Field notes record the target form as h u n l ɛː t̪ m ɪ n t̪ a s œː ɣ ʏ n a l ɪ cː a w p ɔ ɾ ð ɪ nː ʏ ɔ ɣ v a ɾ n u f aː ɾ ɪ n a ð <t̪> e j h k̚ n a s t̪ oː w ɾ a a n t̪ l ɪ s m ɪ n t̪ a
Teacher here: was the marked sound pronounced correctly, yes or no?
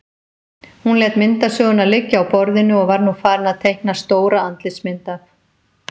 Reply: no